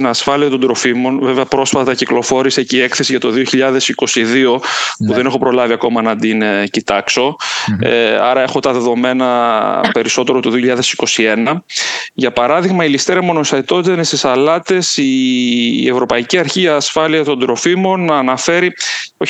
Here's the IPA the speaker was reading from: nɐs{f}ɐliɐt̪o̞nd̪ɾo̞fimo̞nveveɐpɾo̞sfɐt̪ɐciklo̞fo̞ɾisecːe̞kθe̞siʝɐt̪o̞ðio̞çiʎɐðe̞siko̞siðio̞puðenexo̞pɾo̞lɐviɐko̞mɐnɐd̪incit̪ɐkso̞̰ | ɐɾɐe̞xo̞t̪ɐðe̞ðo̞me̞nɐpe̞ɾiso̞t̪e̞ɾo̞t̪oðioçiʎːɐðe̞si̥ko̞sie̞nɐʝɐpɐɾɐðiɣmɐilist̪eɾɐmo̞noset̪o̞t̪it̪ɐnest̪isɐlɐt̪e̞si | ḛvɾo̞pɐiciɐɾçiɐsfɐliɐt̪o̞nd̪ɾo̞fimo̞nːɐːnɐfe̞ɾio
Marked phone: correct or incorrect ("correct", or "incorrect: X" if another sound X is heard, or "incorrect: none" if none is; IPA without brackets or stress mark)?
correct